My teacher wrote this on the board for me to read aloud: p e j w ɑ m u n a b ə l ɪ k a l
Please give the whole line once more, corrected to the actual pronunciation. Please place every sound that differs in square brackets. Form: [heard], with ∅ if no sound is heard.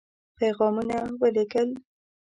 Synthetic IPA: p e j [ɣ] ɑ m u n a [w] ə l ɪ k [ə] l